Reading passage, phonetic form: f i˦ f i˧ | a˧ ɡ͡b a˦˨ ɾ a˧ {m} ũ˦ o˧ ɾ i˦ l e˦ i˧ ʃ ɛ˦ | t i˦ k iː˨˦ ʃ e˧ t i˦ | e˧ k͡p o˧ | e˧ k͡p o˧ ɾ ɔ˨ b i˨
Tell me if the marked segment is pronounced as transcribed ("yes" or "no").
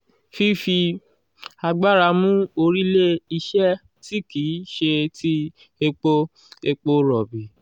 yes